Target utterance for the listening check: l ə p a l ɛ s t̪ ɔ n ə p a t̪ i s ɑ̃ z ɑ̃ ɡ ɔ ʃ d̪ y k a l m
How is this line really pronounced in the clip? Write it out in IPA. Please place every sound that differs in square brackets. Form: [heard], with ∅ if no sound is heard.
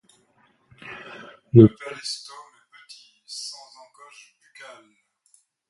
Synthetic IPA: l ə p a l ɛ s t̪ ɔ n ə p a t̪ i s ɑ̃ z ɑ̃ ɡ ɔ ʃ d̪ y k a l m